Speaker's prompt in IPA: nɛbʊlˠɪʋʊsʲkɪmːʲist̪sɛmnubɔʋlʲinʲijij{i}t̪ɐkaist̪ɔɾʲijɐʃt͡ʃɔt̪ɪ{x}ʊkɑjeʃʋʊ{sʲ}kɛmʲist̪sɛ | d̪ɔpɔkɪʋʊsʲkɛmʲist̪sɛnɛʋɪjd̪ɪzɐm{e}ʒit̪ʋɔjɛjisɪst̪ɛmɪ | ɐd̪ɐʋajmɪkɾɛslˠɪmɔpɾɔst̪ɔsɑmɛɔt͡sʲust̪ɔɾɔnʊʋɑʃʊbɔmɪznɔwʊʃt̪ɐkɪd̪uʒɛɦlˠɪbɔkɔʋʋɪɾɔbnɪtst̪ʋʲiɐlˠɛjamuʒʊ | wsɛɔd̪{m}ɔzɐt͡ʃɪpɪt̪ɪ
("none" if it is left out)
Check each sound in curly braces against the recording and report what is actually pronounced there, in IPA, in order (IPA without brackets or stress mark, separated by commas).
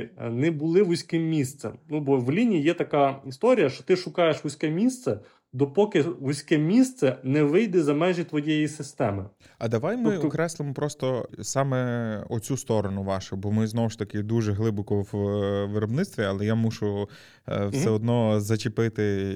ɛ, ʃ, sʲ, ɛ, n